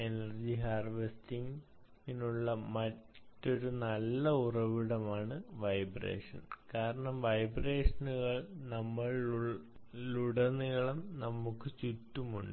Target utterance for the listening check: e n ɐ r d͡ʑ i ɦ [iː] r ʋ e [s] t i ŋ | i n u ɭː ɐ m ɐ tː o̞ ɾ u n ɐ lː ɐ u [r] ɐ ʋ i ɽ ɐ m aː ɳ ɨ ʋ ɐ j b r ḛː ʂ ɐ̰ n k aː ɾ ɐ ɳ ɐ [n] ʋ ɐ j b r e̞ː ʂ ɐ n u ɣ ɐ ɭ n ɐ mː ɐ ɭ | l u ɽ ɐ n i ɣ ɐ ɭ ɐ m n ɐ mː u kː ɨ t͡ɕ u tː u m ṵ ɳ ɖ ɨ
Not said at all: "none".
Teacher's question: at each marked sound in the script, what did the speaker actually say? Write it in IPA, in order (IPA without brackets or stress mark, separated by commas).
aː, s, r, m